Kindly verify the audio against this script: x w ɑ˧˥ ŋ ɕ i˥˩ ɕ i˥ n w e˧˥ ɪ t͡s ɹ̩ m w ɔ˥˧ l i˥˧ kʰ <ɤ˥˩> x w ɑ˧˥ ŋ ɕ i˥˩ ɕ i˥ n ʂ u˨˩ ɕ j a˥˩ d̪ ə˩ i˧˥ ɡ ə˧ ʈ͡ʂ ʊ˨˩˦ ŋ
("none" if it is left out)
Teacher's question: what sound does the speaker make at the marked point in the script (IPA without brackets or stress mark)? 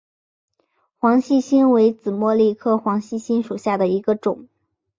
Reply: ɤ˥˩